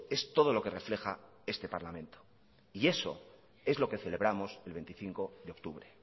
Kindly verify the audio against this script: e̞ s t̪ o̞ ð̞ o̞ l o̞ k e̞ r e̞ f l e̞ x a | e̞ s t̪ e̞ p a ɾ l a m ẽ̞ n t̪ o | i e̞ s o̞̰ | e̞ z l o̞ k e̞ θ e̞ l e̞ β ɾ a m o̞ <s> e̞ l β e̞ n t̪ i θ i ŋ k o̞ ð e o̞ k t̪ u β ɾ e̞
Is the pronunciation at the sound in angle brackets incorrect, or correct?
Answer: correct